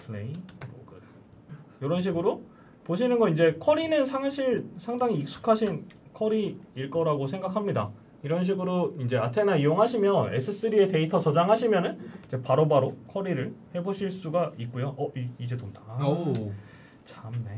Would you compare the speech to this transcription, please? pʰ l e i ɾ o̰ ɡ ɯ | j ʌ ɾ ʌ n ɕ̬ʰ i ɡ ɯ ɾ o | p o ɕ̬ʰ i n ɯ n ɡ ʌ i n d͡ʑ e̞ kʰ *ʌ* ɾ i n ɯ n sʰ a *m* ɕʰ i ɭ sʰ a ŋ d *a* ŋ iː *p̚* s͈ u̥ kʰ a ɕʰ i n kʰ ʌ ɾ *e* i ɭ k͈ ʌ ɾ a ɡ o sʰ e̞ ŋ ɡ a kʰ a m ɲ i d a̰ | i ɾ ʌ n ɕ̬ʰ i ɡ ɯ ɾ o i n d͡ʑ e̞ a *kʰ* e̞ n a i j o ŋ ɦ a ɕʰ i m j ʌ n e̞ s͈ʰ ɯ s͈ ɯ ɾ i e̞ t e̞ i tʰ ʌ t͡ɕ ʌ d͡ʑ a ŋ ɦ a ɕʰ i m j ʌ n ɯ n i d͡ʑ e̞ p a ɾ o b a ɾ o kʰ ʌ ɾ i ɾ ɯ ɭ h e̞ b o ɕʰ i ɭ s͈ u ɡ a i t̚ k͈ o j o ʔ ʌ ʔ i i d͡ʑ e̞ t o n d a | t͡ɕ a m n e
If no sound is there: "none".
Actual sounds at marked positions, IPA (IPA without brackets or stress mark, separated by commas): ʌ, ŋ, a, k̚, i, tʰ